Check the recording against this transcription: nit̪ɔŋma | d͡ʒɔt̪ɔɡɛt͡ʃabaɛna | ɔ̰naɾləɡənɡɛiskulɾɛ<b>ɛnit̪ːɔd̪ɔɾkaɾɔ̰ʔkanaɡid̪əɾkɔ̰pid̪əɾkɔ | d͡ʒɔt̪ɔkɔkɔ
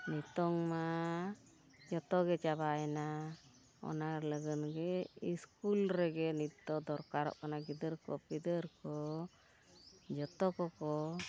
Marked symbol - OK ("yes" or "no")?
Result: no